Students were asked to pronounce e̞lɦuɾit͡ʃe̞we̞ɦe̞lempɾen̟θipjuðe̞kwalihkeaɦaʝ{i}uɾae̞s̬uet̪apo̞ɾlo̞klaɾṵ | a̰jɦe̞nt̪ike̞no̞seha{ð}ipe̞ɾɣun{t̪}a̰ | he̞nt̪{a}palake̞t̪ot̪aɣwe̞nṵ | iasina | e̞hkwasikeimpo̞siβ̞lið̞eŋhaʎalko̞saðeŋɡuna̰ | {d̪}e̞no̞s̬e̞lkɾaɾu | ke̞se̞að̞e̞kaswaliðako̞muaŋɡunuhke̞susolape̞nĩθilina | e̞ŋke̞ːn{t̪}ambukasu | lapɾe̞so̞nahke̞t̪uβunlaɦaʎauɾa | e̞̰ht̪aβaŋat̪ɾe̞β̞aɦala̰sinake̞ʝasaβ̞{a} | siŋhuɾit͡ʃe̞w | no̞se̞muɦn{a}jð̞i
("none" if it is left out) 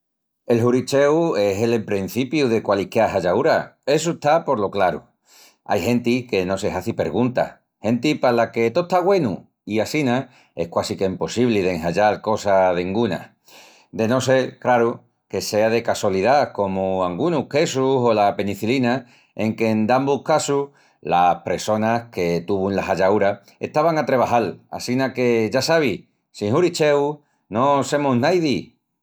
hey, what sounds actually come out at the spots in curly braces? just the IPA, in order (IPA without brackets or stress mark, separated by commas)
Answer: a, θ, t̪, i, d̪, d̪, i, a